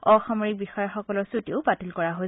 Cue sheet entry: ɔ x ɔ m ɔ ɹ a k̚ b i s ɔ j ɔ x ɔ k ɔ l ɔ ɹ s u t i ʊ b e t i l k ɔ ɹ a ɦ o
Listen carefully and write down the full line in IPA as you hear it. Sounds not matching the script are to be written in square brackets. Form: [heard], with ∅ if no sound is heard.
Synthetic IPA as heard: ɔ x ɔ m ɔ ɹ [i] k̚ b i [x] ɔ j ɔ x ɔ k ɔ l ɔ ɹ s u t i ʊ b [a] t i l k ɔ ɹ a ɦ o